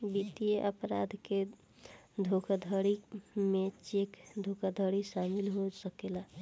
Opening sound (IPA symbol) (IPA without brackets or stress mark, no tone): b